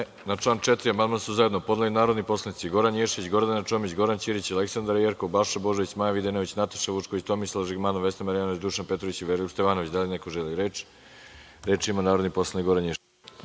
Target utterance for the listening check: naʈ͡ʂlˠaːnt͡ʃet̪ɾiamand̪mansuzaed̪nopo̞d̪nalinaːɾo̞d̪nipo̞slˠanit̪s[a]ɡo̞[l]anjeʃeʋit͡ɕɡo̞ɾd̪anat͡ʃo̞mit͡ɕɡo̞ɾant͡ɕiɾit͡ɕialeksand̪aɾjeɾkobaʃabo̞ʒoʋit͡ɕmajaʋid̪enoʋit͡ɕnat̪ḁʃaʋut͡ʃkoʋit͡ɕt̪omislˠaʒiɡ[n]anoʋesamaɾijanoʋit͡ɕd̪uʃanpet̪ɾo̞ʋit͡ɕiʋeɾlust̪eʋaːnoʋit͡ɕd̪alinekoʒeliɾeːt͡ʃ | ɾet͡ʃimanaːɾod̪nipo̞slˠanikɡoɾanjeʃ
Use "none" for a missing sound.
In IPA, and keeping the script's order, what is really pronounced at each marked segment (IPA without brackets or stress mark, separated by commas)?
i, ɾ, m